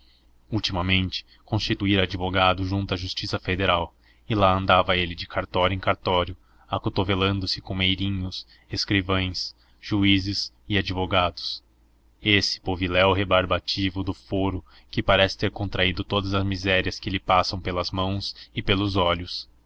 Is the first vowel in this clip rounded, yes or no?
yes